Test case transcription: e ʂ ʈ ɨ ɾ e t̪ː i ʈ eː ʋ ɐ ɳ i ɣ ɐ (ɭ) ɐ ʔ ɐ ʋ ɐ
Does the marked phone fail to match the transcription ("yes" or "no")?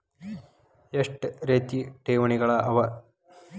no